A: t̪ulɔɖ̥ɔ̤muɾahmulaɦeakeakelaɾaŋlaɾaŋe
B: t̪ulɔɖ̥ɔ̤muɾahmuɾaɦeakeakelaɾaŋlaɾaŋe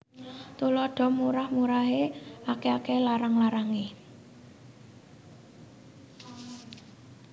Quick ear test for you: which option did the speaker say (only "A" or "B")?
B